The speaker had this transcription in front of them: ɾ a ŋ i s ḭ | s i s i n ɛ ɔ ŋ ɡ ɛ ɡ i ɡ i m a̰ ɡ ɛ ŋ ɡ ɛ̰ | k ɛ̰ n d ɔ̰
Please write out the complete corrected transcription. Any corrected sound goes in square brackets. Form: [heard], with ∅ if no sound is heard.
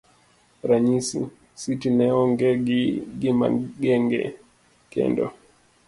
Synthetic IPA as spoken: ɾ a [ɲ] i s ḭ | s i [t] i n ɛ ɔ ŋ ɡ ɛ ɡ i ɡ i m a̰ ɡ ɛ ŋ ɡ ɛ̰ | k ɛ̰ n d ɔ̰